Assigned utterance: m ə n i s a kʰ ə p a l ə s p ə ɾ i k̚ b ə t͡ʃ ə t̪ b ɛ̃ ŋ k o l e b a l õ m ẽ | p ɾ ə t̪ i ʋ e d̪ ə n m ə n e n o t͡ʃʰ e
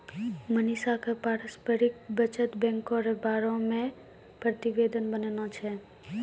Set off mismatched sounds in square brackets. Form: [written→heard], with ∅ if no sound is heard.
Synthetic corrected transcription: m ə n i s a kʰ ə p a [l→ɾ] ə s p ə ɾ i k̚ b ə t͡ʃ ə t̪ b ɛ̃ ŋ k o [l→ɾ] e b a [l→ɾ] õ m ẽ | p ɾ ə t̪ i ʋ e d̪ ə n [m→b] ə n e n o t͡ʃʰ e